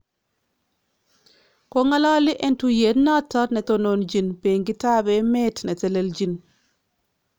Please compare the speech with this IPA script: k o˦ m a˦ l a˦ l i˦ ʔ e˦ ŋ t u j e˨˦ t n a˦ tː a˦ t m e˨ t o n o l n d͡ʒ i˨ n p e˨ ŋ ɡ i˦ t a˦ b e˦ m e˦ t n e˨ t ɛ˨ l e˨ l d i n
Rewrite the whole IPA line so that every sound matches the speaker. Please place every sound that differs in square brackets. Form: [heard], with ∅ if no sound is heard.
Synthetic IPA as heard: k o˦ [ŋ] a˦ l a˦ l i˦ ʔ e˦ [n] t u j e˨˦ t n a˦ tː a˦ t [n] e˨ t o n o [∅] n d͡ʒ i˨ n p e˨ ŋ ɡ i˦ t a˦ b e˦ m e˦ t n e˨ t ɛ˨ l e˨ l [d͡ʒ] i n

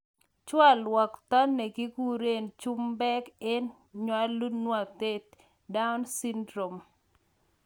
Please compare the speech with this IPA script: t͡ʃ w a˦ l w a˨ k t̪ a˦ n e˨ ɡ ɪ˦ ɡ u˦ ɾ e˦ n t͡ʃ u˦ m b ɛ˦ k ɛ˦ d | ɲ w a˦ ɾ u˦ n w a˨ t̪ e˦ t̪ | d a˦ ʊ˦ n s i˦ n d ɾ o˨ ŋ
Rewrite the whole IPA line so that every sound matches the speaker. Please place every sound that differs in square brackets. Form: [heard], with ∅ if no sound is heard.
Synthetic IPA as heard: t͡ʃ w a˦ l w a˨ k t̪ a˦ n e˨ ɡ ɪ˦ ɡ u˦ ɾ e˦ n t͡ʃ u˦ m b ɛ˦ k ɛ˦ [n] | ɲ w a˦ [l] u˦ n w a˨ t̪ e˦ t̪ | d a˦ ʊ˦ n s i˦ n d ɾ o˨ [m]

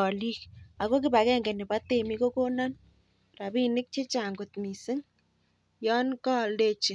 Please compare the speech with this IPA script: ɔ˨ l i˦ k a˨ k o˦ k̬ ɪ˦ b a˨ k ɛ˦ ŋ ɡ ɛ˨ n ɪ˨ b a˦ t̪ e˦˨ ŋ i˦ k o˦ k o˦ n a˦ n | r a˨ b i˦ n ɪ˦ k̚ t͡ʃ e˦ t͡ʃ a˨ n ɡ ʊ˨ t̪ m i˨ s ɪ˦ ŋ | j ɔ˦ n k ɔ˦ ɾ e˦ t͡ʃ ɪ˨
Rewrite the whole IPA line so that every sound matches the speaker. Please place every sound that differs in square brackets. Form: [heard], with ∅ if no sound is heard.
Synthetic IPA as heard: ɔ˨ l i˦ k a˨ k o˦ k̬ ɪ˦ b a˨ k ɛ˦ ŋ ɡ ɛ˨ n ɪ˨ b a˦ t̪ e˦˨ [m] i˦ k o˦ k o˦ n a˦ n | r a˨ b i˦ n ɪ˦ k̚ t͡ʃ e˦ t͡ʃ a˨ [ŋ] ɡ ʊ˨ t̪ m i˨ s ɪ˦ ŋ | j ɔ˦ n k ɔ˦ [l] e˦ t͡ʃ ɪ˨

